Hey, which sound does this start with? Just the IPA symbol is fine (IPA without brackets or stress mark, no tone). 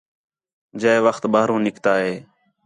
d͡ʒ